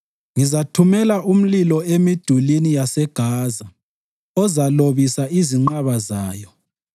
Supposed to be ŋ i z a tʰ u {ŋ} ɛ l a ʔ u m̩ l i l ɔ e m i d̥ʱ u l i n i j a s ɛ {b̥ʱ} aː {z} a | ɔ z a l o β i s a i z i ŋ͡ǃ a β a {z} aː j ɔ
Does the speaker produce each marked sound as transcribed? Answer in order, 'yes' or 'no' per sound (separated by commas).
no, no, yes, yes